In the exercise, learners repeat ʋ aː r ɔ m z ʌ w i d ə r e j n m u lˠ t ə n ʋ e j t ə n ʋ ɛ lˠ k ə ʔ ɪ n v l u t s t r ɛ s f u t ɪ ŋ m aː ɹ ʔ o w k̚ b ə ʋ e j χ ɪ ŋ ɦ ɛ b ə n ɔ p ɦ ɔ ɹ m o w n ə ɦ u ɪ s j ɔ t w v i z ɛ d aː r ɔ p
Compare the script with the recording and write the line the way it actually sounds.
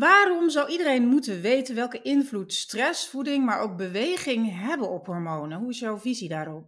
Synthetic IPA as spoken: ʋ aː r ɔ m z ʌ w i d ə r e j n m u t ə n ʋ e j t ə n ʋ ɛ lˠ k ə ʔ ɪ n v l u t s t r ɛ s f u d ɪ ŋ m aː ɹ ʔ o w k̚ b ə ʋ e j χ ɪ ŋ ɦ ɛ b ə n ɔ p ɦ ɔ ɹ m o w n ə ɦ u ɪ s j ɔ w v i z i d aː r ɔ p